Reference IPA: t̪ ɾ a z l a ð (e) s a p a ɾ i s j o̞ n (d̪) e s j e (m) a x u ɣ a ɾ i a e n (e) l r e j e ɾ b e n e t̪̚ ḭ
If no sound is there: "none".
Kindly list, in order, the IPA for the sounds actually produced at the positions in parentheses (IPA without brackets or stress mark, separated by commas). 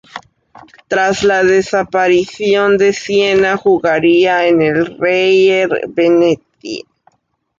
e, d̪, n, e